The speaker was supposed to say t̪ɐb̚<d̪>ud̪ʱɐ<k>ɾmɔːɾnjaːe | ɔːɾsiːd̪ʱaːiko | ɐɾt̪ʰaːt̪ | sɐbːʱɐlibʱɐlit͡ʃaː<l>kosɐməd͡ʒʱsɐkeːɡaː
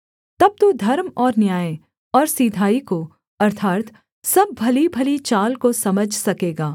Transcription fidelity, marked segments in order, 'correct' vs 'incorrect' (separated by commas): incorrect, incorrect, correct